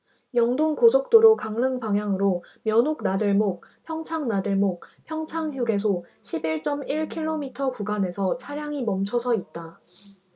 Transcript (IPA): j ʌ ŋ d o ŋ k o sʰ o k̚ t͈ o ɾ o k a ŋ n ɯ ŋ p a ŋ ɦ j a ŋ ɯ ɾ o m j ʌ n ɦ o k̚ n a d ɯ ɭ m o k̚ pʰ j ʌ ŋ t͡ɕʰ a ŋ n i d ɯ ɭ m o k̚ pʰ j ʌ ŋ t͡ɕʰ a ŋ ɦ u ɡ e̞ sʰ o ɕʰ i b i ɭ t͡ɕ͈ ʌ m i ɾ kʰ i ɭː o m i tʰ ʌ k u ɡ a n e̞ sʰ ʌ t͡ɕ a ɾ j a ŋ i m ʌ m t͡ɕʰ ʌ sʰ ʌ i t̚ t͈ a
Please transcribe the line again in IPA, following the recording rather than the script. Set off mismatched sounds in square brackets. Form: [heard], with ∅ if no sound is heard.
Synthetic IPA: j ʌ ŋ d o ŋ k o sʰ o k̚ t͈ o ɾ o k a ŋ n ɯ ŋ p a ŋ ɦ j a ŋ ɯ ɾ o m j ʌ n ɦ o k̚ n a d ɯ ɭ m o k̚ pʰ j ʌ ŋ t͡ɕʰ a ŋ n [a] d ɯ ɭ m o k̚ pʰ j ʌ ŋ t͡ɕʰ a ŋ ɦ u ɡ e̞ sʰ o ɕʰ i b i ɭ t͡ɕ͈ ʌ m i [ɭ] kʰ i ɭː o m i tʰ ʌ k u ɡ a n e̞ sʰ ʌ [t͡ɕʰ] a ɾ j a ŋ i m ʌ m t͡ɕʰ ʌ sʰ ʌ i t̚ t͈ a

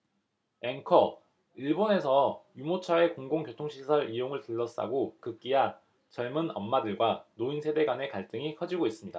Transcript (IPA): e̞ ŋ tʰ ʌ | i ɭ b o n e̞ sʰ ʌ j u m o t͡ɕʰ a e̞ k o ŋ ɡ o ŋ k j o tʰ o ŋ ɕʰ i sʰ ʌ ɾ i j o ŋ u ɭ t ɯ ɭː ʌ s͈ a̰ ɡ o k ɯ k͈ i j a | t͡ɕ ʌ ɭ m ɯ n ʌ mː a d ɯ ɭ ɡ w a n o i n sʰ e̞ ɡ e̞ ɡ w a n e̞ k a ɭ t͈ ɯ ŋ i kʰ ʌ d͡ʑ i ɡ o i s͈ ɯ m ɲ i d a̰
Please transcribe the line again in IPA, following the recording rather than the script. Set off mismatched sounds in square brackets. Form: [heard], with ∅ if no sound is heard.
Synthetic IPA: e̞ ŋ [kʰ] ʌ | i ɭ b o n e̞ sʰ ʌ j u m o t͡ɕʰ a e̞ k o ŋ ɡ o ŋ k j o tʰ o ŋ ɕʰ i sʰ ʌ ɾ i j o ŋ [ɯ] ɭ t ɯ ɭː ʌ s͈ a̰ ɡ o k ɯ k͈ i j a | t͡ɕ ʌ ɭ m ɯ n ʌ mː a d ɯ ɭ ɡ w a n o i n sʰ e̞ [d] e̞ ɡ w a n e̞ k a ɭ t͈ ɯ ŋ i kʰ ʌ d͡ʑ i ɡ o i s͈ ɯ m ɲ i d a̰

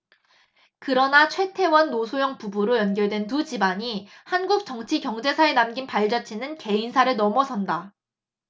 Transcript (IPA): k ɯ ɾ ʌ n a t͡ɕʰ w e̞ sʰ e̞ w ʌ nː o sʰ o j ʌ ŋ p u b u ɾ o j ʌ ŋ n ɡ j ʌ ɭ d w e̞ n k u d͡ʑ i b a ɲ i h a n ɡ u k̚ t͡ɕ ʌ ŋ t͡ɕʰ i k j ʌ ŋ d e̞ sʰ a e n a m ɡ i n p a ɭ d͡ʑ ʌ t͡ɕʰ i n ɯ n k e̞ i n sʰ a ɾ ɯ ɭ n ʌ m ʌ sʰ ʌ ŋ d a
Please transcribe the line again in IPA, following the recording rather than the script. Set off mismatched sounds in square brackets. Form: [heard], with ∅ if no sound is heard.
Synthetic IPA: k ɯ ɾ ʌ n a t͡ɕʰ w e̞ [tʰ] e̞ w ʌ nː o sʰ o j ʌ ŋ p u b u ɾ o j ʌ [∅] n ɡ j ʌ ɭ d w e̞ n [t] u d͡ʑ i b a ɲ i h a n ɡ u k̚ t͡ɕ ʌ ŋ t͡ɕʰ i k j ʌ ŋ [d͡ʑ] e̞ sʰ a e n a m ɡ i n p a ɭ d͡ʑ ʌ t͡ɕʰ i n ɯ n k e̞ i n sʰ a ɾ ɯ ɭ n ʌ m ʌ sʰ ʌ [n] d a

